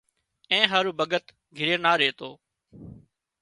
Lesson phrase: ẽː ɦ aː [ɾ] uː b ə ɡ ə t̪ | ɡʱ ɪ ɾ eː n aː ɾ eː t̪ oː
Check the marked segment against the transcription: correct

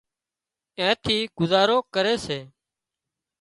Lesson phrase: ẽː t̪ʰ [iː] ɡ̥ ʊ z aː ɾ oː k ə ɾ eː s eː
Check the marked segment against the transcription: correct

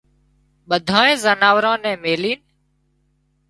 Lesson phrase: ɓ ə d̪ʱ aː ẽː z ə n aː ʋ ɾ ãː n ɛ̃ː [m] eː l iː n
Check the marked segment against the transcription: correct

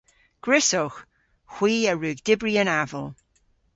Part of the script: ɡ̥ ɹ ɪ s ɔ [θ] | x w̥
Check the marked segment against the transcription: incorrect: x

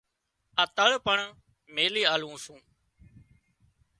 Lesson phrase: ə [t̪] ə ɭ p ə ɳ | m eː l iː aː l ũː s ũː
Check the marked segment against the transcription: correct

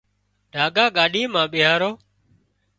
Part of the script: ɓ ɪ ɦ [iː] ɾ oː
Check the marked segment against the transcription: incorrect: aː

